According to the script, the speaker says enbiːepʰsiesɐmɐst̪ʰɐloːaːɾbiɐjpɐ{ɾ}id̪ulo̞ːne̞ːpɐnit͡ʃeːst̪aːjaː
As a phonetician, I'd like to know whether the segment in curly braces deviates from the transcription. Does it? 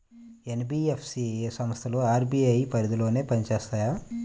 no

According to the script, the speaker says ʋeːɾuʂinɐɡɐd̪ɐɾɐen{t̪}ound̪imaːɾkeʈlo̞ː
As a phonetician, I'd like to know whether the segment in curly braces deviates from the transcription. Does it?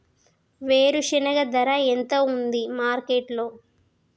no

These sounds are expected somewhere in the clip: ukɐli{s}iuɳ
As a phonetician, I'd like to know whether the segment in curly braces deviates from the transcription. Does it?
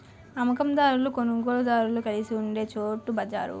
no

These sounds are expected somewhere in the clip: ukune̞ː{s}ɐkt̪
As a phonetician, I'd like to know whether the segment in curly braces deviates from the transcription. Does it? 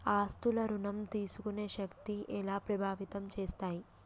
yes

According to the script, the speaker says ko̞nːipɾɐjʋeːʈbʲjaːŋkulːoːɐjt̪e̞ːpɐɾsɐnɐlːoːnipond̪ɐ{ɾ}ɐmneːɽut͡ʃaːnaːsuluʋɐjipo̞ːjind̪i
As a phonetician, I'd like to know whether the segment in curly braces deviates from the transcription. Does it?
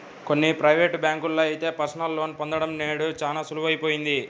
yes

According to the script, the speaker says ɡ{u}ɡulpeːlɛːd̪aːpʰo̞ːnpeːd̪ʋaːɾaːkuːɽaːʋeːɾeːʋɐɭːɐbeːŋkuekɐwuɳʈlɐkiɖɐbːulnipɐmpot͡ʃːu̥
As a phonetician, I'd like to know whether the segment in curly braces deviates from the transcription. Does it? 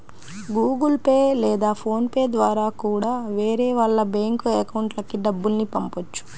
yes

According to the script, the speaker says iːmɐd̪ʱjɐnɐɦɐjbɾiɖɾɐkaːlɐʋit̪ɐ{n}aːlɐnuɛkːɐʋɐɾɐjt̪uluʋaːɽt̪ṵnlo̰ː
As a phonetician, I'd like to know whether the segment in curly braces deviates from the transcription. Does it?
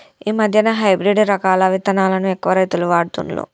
no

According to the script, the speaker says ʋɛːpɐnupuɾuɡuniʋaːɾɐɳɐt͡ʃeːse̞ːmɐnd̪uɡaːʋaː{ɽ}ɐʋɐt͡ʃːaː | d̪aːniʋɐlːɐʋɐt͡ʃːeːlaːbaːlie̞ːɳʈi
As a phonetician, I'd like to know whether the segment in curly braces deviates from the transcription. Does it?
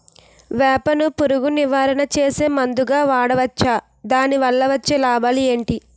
no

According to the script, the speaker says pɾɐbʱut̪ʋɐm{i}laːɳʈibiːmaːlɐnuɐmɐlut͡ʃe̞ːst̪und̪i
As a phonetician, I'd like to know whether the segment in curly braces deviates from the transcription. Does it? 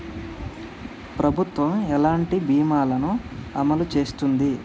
yes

